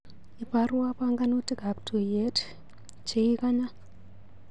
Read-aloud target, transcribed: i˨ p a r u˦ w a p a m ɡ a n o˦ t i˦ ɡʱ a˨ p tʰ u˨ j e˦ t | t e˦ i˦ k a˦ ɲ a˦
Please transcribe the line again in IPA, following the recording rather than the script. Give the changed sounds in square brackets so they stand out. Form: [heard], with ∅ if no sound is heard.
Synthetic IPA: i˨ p a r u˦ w a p a [ŋ] ɡ a n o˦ t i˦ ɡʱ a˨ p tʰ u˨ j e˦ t | [t͡ʃ] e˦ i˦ k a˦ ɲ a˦